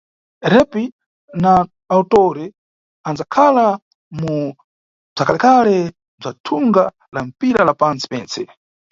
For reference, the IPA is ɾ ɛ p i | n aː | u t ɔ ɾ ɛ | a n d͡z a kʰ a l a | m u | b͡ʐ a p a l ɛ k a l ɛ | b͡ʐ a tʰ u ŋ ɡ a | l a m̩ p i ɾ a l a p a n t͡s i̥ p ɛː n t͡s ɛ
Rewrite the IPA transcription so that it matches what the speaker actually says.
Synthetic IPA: ɾ ɛ p i | n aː | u t ɔ ɾ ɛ | a n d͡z a kʰ a l a | m u | b͡ʐ a k a l ɛ k a l ɛ | b͡ʐ a tʰ u ŋ ɡ a | l a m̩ p i ɾ a l a p a n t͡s i̥ p ɛː n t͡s ɛ